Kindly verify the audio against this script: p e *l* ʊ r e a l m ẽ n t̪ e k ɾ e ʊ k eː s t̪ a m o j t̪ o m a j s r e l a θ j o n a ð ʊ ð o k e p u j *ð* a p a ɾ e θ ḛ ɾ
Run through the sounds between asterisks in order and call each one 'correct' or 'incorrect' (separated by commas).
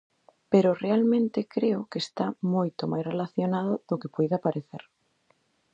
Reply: incorrect, correct